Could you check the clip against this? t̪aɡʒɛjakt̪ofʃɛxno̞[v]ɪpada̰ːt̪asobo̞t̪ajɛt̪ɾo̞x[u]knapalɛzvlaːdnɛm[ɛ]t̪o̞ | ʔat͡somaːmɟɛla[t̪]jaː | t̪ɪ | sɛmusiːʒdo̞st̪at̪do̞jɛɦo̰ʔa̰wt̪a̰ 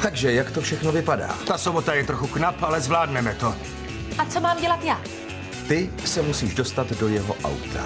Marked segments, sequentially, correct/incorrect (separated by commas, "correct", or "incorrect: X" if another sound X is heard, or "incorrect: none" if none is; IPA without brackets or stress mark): correct, correct, correct, correct